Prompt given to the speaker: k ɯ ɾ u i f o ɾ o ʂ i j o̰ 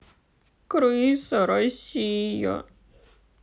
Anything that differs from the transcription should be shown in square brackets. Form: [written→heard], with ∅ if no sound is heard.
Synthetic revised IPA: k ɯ ɾ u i [f→s] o ɾ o [ʂ→ɕ] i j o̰